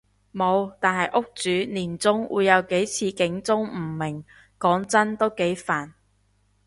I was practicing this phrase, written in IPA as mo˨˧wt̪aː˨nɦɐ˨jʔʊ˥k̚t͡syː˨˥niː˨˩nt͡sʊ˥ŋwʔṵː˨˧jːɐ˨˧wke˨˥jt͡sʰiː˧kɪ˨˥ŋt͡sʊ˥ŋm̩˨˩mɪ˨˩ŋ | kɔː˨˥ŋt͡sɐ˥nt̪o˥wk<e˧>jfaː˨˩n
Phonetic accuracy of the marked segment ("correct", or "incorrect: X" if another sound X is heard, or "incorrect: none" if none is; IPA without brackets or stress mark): incorrect: e˨˥